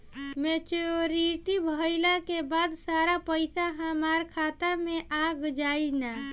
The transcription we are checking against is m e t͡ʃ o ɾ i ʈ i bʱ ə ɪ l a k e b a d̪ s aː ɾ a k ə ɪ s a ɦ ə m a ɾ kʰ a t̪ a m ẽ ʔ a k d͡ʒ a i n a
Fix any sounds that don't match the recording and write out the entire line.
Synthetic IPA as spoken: m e t͡ʃ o ɾ i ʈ i bʱ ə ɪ l a k e b a d̪ s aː ɾ a p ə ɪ s a ɦ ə m a ɾ kʰ a t̪ a m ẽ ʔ a ɡ d͡ʒ a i n a